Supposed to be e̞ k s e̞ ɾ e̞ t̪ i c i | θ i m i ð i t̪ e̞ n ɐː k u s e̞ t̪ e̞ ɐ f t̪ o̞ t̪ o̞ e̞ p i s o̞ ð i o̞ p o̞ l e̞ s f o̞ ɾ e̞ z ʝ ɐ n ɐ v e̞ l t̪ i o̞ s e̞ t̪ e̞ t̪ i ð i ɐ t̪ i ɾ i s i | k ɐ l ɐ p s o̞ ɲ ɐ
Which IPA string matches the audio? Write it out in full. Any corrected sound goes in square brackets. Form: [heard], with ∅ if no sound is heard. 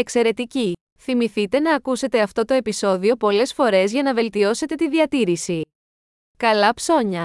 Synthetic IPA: e̞ k s e̞ ɾ e̞ t̪ i c i | θ i m i [θ] i t̪ e̞ n ɐː k u s e̞ t̪ e̞ ɐ f t̪ o̞ t̪ o̞ e̞ p i s o̞ ð i o̞ p o̞ l e̞ s f o̞ ɾ e̞ z ʝ ɐ n ɐ v e̞ l t̪ i o̞ s e̞ t̪ e̞ t̪ i ð i ɐ t̪ i ɾ i s i | k ɐ l ɐ p s o̞ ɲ ɐ